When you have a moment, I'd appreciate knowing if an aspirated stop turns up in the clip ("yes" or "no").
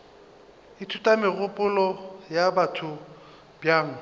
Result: yes